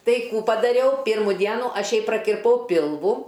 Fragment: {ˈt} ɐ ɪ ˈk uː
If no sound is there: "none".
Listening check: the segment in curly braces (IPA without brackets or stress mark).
t